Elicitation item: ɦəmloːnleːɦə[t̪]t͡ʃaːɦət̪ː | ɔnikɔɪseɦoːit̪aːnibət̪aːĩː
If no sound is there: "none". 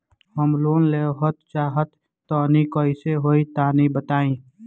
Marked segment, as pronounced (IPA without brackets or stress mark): t̪